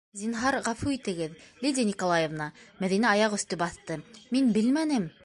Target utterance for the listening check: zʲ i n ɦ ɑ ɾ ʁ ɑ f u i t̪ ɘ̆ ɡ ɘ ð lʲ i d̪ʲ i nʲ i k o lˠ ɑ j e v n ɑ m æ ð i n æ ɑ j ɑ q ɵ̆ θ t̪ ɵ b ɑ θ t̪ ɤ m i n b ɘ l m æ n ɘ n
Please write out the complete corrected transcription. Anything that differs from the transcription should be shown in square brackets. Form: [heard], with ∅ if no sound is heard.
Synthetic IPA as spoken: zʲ i n ɦ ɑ ɾ ʁ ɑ f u i t̪ ɘ̆ ɡ ɘ ð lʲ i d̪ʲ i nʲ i k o lˠ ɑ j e v n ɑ m æ ð i n æ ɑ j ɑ q ɵ̆ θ t̪ ɵ b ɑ θ t̪ ɤ m i n b ɘ l m æ n ɘ [m]